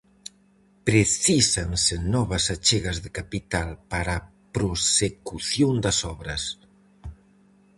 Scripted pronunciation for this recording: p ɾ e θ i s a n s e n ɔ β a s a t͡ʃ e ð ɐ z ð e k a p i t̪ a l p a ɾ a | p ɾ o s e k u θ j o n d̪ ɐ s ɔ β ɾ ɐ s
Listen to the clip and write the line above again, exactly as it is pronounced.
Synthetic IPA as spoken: p ɾ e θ i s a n s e n ɔ β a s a t͡ʃ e ɣ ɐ z ð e k a p i t̪ a l p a ɾ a | p ɾ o s e k u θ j o n d̪ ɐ s ɔ β ɾ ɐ s